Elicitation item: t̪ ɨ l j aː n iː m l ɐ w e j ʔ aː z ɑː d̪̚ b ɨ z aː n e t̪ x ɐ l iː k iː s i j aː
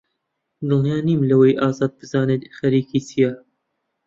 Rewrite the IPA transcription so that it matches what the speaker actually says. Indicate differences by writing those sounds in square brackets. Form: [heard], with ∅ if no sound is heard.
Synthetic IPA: [d̪] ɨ l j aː n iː m l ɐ w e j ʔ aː z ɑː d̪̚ b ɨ z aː n e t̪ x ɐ [ɾ] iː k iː s i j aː